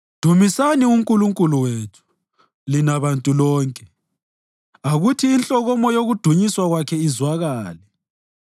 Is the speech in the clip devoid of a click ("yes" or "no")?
yes